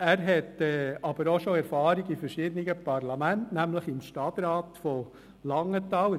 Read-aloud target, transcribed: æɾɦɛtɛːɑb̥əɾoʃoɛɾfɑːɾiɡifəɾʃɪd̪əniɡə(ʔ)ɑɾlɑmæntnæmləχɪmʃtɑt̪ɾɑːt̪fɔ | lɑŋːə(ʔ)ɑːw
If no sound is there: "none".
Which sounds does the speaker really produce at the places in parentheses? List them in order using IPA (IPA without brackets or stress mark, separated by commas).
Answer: p, t